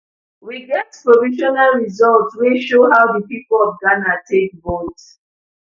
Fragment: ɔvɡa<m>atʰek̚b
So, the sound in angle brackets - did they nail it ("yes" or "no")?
no